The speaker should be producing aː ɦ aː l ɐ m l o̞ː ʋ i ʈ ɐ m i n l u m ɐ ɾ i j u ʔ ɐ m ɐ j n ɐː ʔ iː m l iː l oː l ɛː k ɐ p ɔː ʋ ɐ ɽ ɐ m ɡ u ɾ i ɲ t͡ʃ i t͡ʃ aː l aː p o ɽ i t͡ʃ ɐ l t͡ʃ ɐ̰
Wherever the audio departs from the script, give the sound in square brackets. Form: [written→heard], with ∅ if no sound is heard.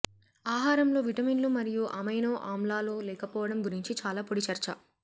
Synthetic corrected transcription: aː ɦ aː [l→ɾ] ɐ m l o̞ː ʋ i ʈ ɐ m i n l u m ɐ ɾ i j u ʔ ɐ m ɐ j n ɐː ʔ [iː→aː] m l [iː→aː] l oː l ɛː k ɐ p ɔː ʋ ɐ ɽ ɐ m ɡ u ɾ i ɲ t͡ʃ i t͡ʃ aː l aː p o ɽ i t͡ʃ ɐ [l→ɾ] t͡ʃ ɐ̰